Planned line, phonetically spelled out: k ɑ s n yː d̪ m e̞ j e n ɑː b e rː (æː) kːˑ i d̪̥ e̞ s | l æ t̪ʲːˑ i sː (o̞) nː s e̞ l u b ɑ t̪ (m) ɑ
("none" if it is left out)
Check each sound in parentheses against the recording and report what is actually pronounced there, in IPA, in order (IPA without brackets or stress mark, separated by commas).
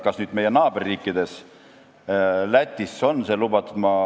iː, o̞, m